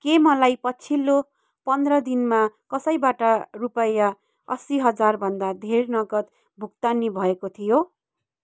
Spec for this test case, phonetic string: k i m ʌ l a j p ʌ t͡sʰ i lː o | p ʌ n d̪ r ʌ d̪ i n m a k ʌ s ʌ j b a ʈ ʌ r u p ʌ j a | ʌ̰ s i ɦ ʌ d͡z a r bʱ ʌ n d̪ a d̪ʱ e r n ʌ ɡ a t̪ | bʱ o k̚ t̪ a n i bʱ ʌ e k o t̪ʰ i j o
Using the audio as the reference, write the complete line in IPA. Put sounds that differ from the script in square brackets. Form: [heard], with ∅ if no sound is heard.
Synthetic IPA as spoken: k [e] m ʌ l a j p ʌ t͡sʰ i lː o | p ʌ n d̪ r ʌ d̪ i n m a k ʌ s ʌ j b a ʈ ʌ r u p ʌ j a | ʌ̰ s i ɦ ʌ d͡z a r bʱ ʌ n d̪ a d̪ʱ e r n ʌ ɡ [ʌ] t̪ | bʱ [u] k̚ t̪ a n i bʱ ʌ e k o t̪ʰ i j o